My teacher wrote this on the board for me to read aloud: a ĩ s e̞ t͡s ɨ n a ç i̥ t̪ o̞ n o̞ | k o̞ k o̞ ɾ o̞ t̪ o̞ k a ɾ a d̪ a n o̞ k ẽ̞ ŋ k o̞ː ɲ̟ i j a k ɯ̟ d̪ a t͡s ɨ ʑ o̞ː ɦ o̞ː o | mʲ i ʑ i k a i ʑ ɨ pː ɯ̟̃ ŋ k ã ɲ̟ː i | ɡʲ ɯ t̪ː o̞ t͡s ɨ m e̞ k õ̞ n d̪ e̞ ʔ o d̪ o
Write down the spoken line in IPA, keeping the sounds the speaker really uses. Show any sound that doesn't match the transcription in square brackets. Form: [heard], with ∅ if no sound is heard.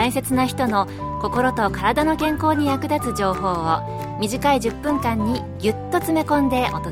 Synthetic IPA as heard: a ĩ s e̞ t͡s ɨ n a ç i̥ t̪ o̞ n o̞ | k o̞ k o̞ ɾ o̞ t̪ o̞ k a ɾ a d̪ a n o̞ k ẽ̞ ŋ k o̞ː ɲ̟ i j a k ɯ̟ d̪ a t͡s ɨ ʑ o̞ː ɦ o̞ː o | mʲ i ʑ i k a i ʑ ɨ pː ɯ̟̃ ŋ k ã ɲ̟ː i | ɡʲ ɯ t̪ː o̞ t͡s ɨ m e̞ k õ̞ n d̪ e̞ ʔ o [t̪] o